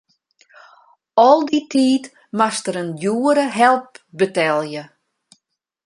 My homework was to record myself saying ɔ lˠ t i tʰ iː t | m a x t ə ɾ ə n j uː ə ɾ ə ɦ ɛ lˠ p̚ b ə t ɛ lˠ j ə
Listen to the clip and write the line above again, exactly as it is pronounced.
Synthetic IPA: ɔ lˠ d i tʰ iː t | m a s t ə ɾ ə n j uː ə ɾ ə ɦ ɛ lˠ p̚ b ə t ɛ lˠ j ə